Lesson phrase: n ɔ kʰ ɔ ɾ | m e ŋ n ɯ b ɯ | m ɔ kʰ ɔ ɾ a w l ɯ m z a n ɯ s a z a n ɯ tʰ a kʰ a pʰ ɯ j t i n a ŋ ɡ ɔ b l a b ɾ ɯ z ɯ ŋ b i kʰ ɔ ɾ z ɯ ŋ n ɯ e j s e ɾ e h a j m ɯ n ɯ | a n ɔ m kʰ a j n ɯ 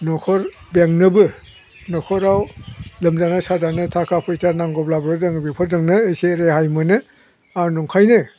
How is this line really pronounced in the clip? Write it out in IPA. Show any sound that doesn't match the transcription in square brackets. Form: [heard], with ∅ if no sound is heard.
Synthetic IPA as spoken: n ɔ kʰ ɔ ɾ | [b] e ŋ n ɯ b ɯ | [n] ɔ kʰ ɔ ɾ a w l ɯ m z a n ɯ s a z a n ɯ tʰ a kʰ a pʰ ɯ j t [a] n a ŋ ɡ ɔ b l a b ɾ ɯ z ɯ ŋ b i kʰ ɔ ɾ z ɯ ŋ n ɯ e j s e ɾ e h a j m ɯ n ɯ | a n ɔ [ŋ] kʰ a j n ɯ